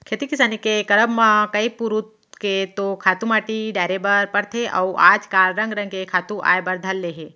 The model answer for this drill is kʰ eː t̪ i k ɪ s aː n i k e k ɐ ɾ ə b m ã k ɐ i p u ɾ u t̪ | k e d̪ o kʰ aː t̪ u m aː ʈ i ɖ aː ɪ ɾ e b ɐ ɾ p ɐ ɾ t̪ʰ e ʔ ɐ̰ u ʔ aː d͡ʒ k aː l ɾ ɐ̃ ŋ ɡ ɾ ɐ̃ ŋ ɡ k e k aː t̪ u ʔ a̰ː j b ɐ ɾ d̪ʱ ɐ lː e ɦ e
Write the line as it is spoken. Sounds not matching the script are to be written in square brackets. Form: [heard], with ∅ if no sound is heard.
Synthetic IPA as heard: kʰ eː t̪ i k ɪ s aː n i k e k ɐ ɾ ə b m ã k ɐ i p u ɾ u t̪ | k e [t̪] o kʰ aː t̪ u m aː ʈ i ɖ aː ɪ ɾ e b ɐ ɾ p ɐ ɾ t̪ʰ e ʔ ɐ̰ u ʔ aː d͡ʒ k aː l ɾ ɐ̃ ŋ ɡ ɾ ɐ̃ ŋ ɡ k e [kʰ] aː t̪ u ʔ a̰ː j b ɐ ɾ d̪ʱ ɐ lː e ɦ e